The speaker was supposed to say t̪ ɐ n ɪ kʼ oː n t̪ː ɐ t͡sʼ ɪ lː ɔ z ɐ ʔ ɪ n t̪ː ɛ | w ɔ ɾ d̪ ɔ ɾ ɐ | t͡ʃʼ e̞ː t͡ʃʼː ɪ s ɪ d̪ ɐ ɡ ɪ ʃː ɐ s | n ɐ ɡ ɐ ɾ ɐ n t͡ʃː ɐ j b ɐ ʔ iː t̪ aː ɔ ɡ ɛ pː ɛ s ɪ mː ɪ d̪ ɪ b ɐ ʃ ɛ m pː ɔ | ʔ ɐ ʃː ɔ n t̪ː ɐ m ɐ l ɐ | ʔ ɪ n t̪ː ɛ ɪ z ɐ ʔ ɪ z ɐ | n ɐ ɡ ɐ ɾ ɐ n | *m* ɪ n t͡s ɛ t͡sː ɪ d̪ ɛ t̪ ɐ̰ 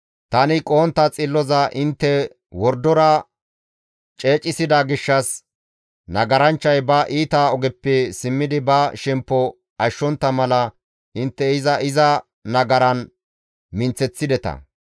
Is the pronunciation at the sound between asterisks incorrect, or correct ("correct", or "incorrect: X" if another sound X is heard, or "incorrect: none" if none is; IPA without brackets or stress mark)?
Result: correct